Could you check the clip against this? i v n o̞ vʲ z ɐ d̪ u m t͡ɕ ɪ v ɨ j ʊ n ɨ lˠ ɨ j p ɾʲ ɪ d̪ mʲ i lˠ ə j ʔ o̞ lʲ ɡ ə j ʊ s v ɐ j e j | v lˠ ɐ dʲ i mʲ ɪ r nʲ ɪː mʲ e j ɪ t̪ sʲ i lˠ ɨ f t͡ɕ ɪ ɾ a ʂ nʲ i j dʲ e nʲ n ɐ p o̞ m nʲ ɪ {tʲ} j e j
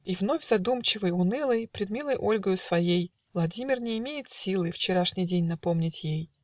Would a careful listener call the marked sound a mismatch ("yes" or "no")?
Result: no